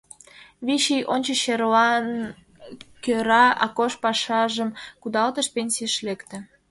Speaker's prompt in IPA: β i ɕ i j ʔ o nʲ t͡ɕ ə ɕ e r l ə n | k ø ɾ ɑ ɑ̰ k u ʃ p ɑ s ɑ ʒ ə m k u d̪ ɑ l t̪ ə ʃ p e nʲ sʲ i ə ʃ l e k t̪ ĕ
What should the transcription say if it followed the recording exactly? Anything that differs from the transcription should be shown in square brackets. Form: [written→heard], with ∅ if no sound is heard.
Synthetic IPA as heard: β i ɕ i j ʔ o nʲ t͡ɕ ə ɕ e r l [ə→ɑ] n | k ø ɾ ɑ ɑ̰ k [u→o] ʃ p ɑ [s→ʃ] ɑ ʒ ə m k u d̪ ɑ l t̪ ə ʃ p e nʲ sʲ i ə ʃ l e k t̪ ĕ

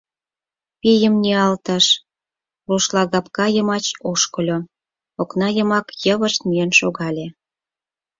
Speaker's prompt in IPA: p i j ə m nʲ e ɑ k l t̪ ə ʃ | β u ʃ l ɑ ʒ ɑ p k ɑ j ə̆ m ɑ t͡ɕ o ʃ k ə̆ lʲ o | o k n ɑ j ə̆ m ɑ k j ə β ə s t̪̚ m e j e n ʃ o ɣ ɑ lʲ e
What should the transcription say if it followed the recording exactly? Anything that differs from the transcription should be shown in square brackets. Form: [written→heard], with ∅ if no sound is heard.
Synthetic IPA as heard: p i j ə m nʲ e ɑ [k→∅] l t̪ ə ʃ | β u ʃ l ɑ [ʒ→ɣ] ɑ p k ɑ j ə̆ m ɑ t͡ɕ o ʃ k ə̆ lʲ o | o k n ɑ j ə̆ m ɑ k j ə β ə [s→ʃ] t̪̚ m [e→i] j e n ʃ o ɣ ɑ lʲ e

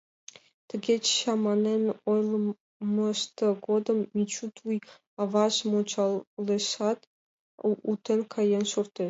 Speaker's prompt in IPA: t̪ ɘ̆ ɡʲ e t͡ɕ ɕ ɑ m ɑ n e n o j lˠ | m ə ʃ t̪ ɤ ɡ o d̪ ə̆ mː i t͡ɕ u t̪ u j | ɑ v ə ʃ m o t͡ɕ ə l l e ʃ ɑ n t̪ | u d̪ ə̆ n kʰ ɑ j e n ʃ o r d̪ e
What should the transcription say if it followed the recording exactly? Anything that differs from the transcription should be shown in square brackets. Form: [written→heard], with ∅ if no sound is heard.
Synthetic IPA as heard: t̪ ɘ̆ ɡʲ e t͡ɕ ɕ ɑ m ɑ n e n o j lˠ | m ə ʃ t̪ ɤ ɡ o d̪ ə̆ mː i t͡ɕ u t̪ u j | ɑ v [ə→ɑ] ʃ m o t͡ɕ [ə→ɑ] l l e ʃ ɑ [n→∅] t̪ | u [d̪→t̪] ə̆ n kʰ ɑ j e n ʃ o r [d̪→t̪] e

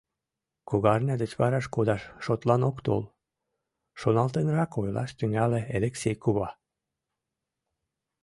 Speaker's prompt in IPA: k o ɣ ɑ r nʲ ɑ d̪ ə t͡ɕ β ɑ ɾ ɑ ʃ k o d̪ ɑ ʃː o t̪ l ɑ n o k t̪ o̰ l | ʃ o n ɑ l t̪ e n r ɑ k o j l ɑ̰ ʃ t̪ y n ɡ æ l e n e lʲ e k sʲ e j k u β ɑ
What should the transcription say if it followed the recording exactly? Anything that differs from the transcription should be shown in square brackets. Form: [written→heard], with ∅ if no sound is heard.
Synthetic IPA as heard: k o ɣ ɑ r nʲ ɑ d̪ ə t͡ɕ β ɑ ɾ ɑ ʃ k o d̪ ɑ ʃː o t̪ l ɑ n o k t̪ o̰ l | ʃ o n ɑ l t̪ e n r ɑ k o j l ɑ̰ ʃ t̪ y [n→ŋ] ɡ æ l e [n→∅] e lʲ e k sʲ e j k u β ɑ

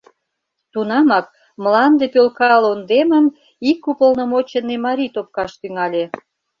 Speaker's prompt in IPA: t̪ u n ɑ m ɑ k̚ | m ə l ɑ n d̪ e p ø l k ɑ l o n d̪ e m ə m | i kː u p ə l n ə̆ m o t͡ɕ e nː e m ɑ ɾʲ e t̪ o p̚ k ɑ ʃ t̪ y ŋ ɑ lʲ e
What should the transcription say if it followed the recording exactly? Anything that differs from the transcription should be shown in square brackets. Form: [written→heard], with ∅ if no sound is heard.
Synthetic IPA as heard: t̪ u n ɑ m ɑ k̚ | m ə l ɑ n d̪ e p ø l k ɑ l o n d̪ e m ə m | i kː u p ə l n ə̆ m o t͡ɕ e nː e m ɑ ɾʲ [e→i] t̪ o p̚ k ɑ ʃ t̪ y ŋ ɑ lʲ e

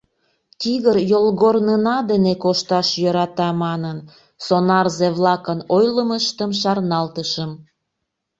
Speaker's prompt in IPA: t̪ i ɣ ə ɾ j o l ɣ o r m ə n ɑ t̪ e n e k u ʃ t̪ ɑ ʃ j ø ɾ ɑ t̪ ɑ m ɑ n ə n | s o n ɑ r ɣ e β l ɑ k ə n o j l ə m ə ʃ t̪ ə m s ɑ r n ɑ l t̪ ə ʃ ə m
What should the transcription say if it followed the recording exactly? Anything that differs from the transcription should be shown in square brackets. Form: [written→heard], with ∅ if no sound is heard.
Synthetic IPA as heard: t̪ i ɣ ə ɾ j o l ɣ o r [m→n] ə n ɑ [t̪→d̪] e n e k [u→o] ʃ t̪ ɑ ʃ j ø ɾ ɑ t̪ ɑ m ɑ n ə n | s o n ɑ r [ɣ→z] e β l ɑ k ə n o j l ə m ə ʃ t̪ ə m [s→ʃ] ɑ r n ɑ l t̪ ə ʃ ə m

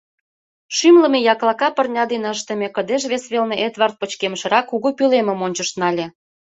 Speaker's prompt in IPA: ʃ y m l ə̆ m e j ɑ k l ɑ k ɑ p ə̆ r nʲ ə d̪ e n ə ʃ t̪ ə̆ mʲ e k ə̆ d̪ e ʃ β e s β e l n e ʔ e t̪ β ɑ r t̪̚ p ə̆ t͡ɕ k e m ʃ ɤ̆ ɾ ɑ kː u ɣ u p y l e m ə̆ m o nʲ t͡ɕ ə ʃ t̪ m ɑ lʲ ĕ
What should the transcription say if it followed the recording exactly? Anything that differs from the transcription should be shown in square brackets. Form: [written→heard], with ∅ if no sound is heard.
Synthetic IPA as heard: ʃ y m l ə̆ m e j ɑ k l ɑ k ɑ p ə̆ r nʲ [ə→ɑ] d̪ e n ə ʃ t̪ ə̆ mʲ e k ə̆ d̪ e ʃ β e s β e l n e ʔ e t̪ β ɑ r t̪̚ p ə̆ t͡ɕ k e m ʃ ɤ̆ ɾ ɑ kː u ɣ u p y l e m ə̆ m o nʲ t͡ɕ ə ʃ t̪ [m→n] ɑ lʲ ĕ

